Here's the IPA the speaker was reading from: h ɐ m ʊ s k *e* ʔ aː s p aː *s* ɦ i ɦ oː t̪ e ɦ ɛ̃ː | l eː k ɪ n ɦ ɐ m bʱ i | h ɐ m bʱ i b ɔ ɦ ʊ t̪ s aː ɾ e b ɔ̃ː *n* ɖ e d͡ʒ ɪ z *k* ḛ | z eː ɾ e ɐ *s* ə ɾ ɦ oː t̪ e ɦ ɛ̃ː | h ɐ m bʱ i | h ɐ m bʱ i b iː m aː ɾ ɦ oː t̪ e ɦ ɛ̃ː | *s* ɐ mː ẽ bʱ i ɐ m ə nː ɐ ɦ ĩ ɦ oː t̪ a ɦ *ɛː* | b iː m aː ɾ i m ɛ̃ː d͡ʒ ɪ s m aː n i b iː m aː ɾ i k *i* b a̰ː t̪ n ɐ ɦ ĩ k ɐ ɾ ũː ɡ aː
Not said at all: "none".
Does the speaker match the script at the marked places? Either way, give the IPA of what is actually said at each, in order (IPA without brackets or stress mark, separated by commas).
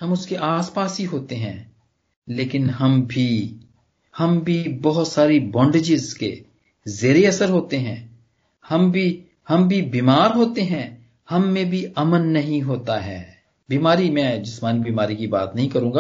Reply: e, s, ɳ, k, s, h, ɛː, i